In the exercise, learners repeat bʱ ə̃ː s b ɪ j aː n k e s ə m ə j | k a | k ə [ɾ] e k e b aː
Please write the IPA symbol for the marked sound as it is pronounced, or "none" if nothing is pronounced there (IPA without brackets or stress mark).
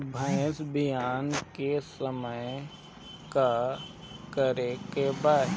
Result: ɾ